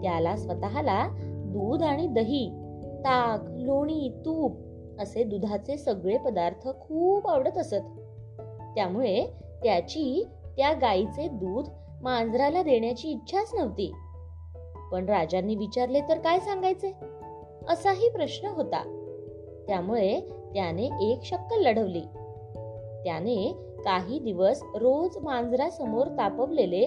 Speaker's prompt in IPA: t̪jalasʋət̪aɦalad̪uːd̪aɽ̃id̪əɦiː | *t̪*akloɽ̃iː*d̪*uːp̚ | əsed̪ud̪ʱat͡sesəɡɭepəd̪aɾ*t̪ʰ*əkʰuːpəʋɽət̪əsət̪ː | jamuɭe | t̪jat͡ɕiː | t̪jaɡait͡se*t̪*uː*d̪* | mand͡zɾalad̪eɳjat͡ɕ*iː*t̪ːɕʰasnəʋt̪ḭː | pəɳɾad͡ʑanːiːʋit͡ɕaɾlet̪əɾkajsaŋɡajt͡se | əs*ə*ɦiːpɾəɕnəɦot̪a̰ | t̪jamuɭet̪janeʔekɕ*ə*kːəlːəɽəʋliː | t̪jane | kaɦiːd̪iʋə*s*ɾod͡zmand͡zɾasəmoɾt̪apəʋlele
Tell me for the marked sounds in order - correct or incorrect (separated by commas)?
correct, incorrect, correct, incorrect, correct, correct, incorrect, correct, correct